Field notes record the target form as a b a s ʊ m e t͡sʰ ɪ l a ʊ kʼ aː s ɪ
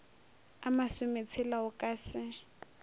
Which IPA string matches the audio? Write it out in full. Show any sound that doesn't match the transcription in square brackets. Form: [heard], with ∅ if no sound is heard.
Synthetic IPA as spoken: a [m] a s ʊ m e t͡sʰ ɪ l a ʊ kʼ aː s ɪ